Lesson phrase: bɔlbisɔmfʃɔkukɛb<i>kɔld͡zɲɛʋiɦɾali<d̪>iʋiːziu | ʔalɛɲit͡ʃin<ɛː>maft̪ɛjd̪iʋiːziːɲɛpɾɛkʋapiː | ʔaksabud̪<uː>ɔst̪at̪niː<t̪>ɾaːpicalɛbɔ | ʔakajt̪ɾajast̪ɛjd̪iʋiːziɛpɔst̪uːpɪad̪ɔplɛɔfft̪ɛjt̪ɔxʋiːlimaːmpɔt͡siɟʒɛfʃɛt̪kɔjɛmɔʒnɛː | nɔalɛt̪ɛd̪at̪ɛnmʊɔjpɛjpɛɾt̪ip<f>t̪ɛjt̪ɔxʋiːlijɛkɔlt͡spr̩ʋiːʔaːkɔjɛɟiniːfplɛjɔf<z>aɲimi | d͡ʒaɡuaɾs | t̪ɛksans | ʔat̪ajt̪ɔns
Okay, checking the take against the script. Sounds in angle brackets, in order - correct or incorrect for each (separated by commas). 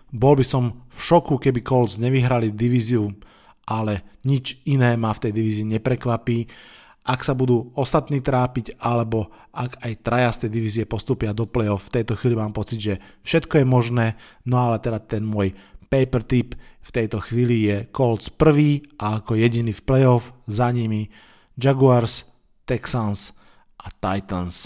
correct, correct, correct, correct, correct, correct, correct